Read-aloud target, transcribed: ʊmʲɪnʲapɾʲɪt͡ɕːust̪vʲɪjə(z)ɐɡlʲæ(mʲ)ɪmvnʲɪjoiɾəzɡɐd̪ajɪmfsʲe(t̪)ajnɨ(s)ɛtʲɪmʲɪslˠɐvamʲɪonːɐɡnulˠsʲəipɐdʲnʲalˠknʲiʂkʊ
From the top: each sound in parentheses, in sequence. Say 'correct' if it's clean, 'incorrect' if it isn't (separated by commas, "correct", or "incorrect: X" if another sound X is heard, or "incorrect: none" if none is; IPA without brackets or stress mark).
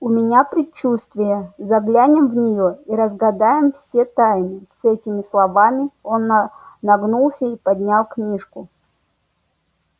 correct, incorrect: nʲ, correct, correct